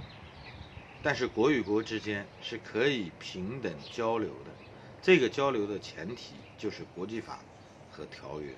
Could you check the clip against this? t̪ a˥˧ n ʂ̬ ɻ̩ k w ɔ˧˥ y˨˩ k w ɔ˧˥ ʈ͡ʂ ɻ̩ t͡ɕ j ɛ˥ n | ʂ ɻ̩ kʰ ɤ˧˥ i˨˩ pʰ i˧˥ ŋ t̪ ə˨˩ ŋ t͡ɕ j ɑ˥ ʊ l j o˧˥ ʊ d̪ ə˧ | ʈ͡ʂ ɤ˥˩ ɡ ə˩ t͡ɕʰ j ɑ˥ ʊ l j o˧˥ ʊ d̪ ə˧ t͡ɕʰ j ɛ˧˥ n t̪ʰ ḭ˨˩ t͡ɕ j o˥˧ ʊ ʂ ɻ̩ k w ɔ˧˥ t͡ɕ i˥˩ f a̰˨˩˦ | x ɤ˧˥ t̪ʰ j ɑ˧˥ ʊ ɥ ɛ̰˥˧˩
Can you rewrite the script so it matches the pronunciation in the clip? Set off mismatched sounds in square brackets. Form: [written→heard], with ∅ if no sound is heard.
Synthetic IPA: t̪ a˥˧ n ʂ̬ ɻ̩ k w ɔ˧˥ y˨˩ k w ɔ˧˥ ʈ͡ʂ ɻ̩ t͡ɕ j ɛ˥ n | ʂ ɻ̩ kʰ ɤ˧˥ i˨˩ pʰ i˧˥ ŋ t̪ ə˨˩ ŋ t͡ɕ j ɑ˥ ʊ l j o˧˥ ʊ d̪ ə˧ | ʈ͡ʂ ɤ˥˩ ɡ ə˩ [t͡ɕʰ→t͡ɕ] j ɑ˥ ʊ l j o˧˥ ʊ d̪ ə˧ t͡ɕʰ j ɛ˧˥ n t̪ʰ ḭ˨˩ t͡ɕ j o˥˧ ʊ ʂ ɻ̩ k w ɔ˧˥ t͡ɕ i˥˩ f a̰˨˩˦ | x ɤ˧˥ t̪ʰ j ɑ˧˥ ʊ ɥ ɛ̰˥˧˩